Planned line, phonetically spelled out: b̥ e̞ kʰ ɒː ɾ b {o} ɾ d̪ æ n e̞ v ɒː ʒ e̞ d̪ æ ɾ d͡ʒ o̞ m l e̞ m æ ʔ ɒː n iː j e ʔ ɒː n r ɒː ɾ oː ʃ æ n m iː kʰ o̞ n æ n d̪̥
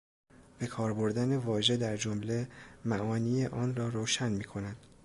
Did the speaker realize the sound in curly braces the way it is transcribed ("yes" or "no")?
yes